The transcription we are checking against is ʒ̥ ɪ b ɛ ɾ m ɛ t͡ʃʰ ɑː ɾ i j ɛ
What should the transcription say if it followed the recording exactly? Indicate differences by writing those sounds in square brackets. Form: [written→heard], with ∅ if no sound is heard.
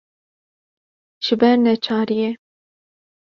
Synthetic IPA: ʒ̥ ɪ b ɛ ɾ [m→n] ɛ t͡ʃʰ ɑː ɾ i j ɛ